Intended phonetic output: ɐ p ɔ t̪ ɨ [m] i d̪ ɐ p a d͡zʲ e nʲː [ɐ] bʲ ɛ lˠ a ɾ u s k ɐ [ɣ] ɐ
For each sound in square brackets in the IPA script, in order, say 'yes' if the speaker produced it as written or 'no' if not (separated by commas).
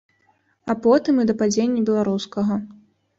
yes, yes, yes